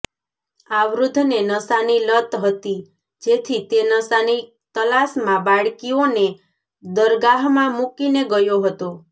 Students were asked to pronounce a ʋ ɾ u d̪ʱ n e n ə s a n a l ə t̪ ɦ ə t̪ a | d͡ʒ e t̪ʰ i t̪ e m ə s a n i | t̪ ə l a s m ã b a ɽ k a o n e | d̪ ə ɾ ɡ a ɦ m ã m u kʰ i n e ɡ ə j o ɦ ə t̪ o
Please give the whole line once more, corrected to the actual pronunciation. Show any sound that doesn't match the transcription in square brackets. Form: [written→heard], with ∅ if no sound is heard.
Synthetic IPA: a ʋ ɾ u d̪ʱ n e n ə s a n [a→i] l ə t̪ ɦ ə t̪ [a→i] | d͡ʒ e t̪ʰ i t̪ e [m→n] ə s a n i | t̪ ə l a s m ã b a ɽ k [a→i] o n e | d̪ ə ɾ ɡ a ɦ m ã m u [kʰ→k] i n e ɡ ə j o ɦ ə t̪ o